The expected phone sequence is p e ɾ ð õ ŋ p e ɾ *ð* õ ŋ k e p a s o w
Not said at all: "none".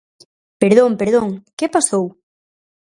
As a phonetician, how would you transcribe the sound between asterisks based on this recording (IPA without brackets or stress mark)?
ð